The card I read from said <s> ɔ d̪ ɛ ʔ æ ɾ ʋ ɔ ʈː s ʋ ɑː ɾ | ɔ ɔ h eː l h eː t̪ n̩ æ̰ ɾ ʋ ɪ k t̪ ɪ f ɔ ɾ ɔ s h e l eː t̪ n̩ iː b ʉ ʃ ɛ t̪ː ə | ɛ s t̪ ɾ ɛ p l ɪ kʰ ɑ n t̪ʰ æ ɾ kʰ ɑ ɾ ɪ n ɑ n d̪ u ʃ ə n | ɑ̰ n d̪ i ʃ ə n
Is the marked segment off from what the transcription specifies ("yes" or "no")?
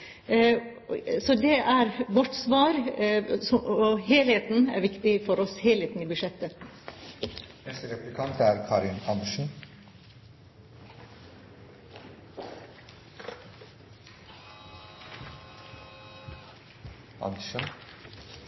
no